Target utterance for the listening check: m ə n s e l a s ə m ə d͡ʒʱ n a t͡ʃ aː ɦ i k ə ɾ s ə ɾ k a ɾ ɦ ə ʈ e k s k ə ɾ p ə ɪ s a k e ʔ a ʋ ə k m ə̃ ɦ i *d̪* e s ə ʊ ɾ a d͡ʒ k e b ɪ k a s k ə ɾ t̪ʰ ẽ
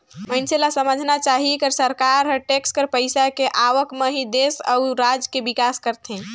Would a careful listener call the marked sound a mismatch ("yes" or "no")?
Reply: no